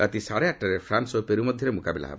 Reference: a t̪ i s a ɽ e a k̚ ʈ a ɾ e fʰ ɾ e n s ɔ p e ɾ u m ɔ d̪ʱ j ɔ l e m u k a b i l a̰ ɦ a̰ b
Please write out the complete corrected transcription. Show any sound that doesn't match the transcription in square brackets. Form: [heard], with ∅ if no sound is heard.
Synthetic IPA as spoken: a t̪ i s a ɽ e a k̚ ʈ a ɾ e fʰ ɾ [a] n s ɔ p e ɾ u m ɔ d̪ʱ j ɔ [ɾ] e m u k a b i l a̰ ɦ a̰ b